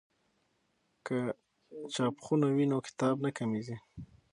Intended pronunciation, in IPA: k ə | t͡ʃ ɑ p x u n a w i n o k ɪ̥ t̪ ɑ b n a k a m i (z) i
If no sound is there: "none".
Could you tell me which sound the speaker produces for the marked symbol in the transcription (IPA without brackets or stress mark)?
z